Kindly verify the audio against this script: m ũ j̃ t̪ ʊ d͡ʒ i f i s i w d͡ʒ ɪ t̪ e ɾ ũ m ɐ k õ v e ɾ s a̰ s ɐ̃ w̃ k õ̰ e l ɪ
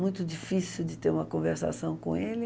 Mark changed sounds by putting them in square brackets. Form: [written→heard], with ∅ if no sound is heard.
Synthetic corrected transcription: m ũ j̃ t̪ ʊ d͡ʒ i f i s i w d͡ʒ ɪ t̪ e ɾ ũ m ɐ k õ v e ɾ s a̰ s ɐ̃ w̃ k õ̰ e l ɪ